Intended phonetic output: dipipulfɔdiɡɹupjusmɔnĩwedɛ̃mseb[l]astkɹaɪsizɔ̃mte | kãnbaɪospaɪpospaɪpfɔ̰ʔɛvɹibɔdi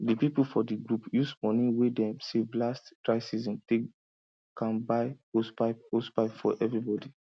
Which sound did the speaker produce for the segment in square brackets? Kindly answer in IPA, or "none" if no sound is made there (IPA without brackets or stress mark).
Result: l